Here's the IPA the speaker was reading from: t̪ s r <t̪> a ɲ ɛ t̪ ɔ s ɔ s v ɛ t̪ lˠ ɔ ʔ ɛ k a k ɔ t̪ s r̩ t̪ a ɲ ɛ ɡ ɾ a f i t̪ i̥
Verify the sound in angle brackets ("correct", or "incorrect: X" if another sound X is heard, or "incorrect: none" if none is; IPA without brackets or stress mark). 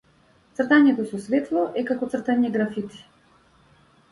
correct